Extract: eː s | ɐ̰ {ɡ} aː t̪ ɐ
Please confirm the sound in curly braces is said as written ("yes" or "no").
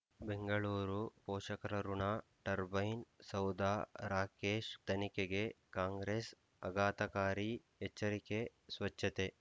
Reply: yes